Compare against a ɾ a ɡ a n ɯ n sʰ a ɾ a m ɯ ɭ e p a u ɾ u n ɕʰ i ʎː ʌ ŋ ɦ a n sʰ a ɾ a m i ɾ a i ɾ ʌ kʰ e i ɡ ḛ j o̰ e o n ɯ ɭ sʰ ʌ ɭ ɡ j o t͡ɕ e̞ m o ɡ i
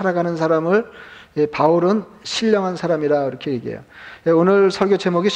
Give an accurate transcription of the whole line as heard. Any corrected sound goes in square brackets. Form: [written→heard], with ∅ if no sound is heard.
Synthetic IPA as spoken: a ɾ a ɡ a n ɯ n sʰ a ɾ a m ɯ ɭ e p a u ɾ [u→ɯ] n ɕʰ i ʎː ʌ ŋ ɦ a n sʰ a ɾ a m i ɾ a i ɾ ʌ kʰ e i ɡ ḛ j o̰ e o n ɯ ɭ sʰ ʌ ɭ ɡ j o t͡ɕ e̞ m o ɡ i